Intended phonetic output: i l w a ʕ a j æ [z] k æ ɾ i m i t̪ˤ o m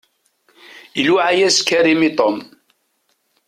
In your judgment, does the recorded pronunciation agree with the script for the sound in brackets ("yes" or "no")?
no